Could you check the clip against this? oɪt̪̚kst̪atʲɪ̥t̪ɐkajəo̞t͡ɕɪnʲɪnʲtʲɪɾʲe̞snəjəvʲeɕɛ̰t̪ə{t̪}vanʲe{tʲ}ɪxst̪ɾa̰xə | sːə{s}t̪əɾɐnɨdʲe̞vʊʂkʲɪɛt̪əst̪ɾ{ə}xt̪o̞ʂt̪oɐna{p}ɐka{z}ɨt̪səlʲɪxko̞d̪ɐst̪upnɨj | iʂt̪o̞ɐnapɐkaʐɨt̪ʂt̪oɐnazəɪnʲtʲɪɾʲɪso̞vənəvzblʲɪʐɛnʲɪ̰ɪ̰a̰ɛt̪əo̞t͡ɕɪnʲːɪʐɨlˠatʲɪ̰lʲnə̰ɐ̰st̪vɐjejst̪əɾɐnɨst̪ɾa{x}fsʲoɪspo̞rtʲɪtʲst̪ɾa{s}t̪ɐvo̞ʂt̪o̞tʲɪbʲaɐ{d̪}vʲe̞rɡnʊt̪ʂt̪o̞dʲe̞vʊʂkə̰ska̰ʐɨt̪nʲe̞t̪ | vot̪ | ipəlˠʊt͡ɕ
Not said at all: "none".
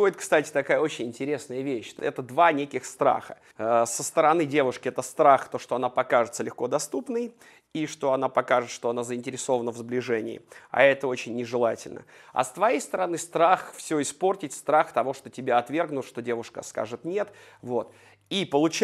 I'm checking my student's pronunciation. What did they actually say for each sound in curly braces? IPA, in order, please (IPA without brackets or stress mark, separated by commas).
d̪, kʲ, s, a, p, ʐ, x, x, t̪